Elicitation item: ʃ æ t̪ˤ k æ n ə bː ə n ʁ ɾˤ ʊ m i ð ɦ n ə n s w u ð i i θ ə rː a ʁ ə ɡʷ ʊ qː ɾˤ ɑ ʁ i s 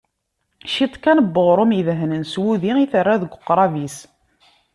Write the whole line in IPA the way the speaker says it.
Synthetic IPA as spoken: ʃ i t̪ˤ k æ n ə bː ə ʁ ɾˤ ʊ m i ð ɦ n ə n s w u ð i i θ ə rː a ð ə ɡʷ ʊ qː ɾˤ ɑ v i s